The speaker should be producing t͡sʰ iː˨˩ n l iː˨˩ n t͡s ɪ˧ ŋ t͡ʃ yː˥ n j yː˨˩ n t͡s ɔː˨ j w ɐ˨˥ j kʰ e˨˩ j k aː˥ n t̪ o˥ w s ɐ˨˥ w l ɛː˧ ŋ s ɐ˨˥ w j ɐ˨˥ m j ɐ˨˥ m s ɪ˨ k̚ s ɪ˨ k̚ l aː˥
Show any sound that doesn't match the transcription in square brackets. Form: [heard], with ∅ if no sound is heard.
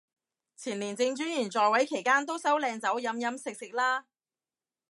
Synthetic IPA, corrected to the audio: t͡sʰ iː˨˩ n l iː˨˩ n t͡s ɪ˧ ŋ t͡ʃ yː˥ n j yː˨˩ n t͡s ɔː˨ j w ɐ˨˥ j kʰ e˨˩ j k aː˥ n t̪ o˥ w s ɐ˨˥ w l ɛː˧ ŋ [t͡s] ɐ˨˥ w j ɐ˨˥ m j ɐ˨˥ m s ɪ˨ k̚ s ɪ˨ k̚ l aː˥

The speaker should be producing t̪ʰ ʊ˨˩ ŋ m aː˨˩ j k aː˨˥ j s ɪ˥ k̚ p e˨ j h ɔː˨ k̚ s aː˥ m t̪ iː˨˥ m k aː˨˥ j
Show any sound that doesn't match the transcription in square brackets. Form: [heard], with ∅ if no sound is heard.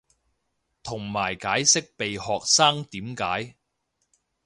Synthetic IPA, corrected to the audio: t̪ʰ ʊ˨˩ ŋ m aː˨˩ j k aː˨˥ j s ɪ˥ k̚ p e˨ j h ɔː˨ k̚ s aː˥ [ŋ] t̪ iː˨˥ m k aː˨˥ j

